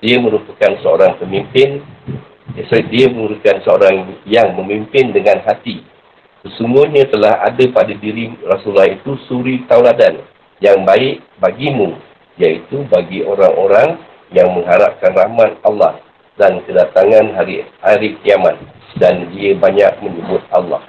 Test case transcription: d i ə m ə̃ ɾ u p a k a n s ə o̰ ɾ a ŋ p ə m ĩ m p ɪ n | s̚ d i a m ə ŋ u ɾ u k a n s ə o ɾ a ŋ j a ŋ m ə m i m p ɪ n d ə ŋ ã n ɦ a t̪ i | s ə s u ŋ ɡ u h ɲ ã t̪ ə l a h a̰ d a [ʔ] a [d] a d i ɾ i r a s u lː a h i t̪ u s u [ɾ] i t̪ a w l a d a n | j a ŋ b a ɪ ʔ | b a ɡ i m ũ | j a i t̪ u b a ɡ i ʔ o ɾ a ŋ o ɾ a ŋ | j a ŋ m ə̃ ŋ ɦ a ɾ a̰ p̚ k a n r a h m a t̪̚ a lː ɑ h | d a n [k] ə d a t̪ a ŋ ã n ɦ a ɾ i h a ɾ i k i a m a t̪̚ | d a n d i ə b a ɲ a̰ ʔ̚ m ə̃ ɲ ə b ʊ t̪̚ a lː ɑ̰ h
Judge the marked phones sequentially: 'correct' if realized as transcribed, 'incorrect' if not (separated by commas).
incorrect, correct, correct, correct